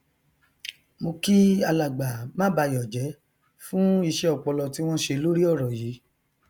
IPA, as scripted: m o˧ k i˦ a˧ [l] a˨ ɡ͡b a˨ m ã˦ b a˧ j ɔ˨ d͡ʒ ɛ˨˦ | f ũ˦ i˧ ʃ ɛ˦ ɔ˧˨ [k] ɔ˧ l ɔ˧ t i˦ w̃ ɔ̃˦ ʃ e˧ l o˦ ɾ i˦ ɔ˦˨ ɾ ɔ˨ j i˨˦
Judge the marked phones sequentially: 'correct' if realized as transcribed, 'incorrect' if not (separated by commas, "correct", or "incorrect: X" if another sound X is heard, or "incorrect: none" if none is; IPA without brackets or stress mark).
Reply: correct, incorrect: k͡p